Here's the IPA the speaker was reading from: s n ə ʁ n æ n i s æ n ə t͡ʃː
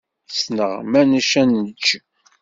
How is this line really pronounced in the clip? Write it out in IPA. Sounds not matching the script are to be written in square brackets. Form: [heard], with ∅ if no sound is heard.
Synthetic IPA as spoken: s n ə ʁ [m] æ n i [ʃ] æ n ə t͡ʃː

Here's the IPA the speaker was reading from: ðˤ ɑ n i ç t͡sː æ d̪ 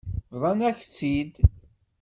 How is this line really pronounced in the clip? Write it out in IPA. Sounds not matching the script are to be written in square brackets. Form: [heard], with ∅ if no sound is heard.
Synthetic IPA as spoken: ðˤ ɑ n [æ] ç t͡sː [i] d̪

